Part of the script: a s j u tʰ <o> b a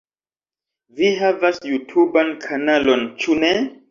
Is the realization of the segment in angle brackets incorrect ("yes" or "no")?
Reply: yes